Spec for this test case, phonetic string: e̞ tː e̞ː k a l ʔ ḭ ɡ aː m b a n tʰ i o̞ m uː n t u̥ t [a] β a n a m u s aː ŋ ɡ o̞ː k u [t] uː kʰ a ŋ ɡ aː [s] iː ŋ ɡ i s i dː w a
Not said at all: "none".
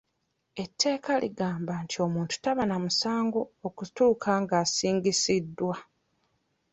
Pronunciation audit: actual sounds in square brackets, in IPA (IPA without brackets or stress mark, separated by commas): a, t, s